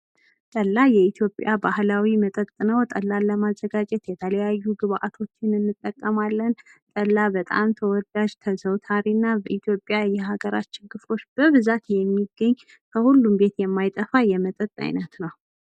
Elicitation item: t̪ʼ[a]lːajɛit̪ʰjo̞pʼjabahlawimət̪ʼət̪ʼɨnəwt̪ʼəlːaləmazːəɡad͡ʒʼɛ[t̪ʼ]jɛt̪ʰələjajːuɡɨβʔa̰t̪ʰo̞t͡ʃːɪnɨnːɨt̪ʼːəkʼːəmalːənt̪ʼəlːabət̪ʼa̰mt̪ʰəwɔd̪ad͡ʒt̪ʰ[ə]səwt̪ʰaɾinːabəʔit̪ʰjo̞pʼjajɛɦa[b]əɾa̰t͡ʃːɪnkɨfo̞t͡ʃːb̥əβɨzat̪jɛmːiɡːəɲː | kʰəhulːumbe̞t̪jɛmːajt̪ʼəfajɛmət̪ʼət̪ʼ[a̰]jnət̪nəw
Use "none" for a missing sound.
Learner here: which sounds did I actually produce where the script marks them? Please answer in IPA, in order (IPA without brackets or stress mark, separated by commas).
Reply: ə, t̪, ə, ɡ, a̰